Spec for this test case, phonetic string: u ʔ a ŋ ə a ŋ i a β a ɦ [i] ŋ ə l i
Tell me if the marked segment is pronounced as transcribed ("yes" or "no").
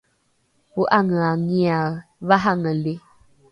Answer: no